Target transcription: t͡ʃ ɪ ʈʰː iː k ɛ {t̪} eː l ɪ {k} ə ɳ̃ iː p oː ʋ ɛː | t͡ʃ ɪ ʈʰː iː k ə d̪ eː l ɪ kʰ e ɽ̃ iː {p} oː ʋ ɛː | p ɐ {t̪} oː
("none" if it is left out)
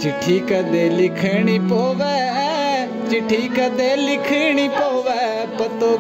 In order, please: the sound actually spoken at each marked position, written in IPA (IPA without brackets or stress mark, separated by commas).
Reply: d̪, kʰ, p, t̪